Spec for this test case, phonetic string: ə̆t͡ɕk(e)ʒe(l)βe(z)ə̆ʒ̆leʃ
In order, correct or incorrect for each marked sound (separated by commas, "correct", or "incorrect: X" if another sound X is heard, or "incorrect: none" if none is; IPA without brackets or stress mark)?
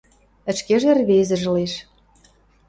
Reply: correct, incorrect: r, correct